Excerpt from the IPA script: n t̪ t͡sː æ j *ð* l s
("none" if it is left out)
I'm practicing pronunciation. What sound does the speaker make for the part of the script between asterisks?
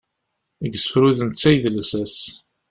ð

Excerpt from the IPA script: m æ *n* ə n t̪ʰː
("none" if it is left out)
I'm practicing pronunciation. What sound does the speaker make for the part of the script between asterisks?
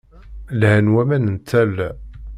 n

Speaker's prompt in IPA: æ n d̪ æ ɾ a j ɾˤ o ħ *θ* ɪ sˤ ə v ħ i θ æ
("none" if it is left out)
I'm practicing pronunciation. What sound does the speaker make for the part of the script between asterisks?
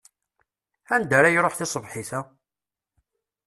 θ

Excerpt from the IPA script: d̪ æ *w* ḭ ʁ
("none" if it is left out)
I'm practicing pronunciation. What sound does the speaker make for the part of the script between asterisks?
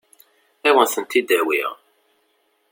w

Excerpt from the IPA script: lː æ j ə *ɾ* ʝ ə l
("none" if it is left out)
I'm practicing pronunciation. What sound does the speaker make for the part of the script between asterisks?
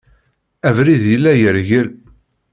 ɾ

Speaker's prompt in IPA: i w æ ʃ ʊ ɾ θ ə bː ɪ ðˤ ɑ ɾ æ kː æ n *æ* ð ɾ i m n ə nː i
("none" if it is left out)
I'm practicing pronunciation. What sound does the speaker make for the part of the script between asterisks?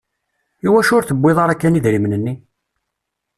i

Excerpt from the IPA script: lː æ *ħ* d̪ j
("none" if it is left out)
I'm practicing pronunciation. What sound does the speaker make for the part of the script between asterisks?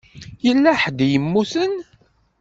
ħ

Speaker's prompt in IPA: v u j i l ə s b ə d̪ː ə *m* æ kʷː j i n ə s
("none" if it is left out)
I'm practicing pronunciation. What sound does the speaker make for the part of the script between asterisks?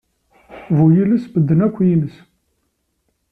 n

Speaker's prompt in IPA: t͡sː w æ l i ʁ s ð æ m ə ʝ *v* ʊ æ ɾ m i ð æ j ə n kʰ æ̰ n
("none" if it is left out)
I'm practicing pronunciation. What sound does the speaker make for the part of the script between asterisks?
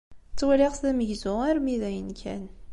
z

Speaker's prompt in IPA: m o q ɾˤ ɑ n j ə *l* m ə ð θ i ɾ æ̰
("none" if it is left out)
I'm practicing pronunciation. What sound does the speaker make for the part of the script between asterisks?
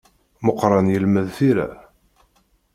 l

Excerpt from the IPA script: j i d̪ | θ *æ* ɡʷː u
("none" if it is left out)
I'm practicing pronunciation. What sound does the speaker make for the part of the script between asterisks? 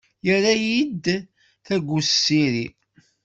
æ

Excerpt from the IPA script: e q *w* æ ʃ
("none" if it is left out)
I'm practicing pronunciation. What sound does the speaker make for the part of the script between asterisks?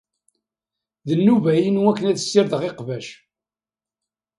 v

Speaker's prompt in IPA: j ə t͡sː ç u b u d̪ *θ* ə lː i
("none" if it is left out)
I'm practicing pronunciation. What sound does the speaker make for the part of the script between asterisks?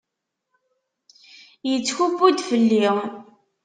f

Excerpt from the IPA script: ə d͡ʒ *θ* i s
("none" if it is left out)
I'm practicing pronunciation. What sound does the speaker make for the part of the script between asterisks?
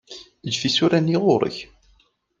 f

